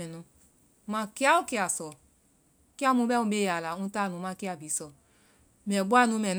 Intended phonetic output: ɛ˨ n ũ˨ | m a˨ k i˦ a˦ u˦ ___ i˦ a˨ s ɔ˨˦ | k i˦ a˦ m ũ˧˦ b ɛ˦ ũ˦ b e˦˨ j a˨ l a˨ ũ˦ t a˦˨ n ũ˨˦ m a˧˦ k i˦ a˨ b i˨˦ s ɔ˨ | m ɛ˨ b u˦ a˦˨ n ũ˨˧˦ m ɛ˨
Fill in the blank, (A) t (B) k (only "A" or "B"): B